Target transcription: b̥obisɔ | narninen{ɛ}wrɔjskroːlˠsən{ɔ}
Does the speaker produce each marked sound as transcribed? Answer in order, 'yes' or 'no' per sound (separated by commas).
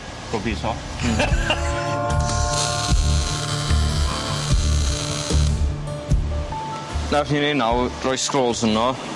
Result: no, yes